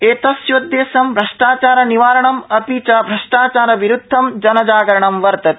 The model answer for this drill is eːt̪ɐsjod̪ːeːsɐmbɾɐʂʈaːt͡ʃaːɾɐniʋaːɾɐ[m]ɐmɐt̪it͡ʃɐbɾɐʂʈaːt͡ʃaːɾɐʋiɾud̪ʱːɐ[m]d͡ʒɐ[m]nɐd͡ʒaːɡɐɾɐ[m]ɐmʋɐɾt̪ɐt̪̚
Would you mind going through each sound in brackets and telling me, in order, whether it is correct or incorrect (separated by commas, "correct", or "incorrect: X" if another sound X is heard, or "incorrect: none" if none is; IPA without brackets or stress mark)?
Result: incorrect: ɳ, correct, incorrect: none, incorrect: ɳ